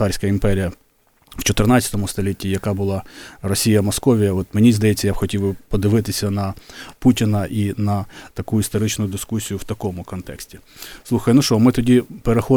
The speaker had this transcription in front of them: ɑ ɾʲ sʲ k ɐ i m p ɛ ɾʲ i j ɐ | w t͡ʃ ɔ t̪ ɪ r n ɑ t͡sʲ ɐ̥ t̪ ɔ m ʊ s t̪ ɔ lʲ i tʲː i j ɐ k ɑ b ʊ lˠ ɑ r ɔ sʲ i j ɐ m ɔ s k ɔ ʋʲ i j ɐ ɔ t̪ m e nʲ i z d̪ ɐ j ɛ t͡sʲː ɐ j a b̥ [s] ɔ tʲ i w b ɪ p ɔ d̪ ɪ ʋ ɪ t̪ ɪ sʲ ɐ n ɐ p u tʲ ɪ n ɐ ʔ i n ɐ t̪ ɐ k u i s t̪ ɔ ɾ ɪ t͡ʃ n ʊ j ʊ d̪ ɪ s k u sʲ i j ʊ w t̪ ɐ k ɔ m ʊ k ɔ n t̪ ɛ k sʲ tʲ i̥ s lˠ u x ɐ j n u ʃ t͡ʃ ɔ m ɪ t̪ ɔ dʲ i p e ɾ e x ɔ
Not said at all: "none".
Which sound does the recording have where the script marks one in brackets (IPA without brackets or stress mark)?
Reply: x